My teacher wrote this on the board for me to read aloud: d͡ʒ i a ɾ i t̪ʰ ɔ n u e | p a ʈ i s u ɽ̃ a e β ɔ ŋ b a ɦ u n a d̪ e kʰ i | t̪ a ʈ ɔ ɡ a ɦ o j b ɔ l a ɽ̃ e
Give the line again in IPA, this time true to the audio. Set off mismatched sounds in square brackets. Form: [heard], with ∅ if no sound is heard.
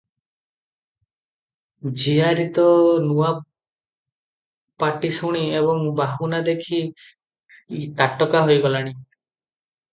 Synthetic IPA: d͡ʒ i a ɾ i [t̪] ɔ n u [a] | p a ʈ i s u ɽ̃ [i] e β ɔ ŋ b a ɦ u n a d̪ e kʰ i | t̪ a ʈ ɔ [k] a ɦ o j [ɡ] ɔ l a ɽ̃ [i]